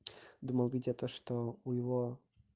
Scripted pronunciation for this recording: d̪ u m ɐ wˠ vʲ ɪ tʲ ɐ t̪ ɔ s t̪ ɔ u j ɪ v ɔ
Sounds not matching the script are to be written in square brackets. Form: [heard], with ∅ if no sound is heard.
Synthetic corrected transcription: d̪ u m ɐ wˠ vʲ [i] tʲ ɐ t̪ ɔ [ʂ] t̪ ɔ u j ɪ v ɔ